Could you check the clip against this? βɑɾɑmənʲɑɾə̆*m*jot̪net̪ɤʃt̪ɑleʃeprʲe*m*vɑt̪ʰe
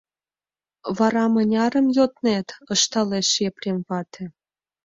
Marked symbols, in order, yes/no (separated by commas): yes, yes